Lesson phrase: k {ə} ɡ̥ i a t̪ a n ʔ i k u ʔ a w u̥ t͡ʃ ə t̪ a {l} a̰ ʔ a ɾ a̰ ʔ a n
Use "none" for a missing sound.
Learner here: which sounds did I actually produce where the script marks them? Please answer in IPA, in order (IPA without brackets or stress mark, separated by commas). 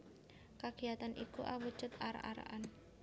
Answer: a, ɾ